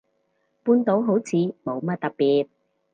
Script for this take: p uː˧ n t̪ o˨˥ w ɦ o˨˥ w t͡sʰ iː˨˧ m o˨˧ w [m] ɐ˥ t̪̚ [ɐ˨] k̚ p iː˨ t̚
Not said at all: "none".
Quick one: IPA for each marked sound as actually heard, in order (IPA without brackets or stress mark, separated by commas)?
m, ɐ˨